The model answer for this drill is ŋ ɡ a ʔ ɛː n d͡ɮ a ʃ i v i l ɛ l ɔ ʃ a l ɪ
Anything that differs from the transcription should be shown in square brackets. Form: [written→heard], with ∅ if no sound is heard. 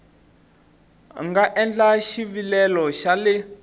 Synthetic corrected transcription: ŋ ɡ a ʔ [ɛː→ɛ] n d͡ɮ a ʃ i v i l ɛ l ɔ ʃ a l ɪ